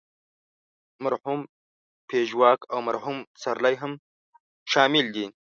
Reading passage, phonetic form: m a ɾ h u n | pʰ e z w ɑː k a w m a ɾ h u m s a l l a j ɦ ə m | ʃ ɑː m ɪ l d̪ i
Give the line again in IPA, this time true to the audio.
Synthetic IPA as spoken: m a ɾ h u m | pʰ e ʒ w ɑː k a w m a ɾ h u m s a ɾ l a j ɦ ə m | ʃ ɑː m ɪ l d̪ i